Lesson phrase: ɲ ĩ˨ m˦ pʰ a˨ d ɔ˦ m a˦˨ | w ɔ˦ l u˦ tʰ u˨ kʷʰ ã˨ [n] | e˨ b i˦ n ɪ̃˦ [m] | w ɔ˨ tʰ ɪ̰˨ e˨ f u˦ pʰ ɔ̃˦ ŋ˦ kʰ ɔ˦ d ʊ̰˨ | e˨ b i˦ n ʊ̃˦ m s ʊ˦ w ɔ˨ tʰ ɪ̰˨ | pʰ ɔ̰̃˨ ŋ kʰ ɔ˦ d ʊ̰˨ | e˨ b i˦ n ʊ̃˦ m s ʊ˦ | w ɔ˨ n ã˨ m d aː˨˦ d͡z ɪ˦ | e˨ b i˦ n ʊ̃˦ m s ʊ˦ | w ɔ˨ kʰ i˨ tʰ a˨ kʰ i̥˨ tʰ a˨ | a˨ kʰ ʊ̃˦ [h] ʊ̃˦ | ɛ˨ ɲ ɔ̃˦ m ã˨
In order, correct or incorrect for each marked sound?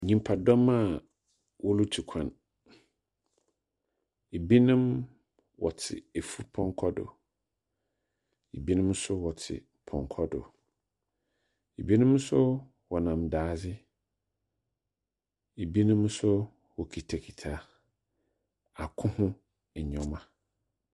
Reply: correct, correct, correct

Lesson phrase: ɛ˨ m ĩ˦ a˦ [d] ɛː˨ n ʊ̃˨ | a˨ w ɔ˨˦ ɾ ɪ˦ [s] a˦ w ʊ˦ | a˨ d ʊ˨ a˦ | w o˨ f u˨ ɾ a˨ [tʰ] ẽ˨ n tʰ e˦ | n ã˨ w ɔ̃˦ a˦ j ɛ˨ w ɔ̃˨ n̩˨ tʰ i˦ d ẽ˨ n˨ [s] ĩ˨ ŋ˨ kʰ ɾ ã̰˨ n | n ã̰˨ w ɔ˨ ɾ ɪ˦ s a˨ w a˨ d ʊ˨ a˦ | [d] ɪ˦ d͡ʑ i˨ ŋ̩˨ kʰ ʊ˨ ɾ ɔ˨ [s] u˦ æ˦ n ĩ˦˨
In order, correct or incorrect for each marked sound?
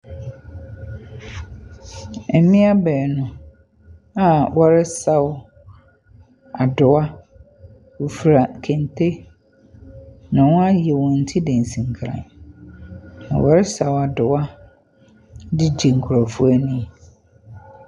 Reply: incorrect: b, correct, incorrect: kʰ, correct, correct, incorrect: f

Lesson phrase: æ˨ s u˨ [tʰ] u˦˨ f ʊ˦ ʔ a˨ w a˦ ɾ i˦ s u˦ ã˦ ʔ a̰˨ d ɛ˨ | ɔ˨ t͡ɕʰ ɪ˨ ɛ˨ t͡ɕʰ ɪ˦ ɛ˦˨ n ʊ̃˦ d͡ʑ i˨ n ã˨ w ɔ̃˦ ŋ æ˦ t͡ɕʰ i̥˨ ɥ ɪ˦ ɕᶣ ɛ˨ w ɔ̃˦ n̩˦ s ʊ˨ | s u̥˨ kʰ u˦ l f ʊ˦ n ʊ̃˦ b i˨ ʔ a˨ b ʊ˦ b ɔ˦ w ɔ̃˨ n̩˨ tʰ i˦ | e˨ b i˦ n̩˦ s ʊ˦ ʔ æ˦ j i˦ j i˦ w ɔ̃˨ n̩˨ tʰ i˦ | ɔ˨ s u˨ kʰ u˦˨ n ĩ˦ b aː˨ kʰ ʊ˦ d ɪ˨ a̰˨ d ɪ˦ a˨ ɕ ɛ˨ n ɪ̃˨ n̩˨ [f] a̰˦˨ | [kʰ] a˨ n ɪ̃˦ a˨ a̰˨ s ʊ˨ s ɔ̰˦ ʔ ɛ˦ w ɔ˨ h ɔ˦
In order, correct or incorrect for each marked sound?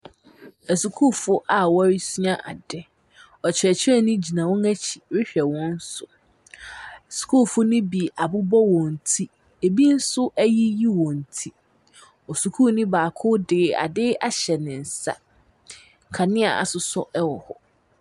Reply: incorrect: kʰ, incorrect: s, correct

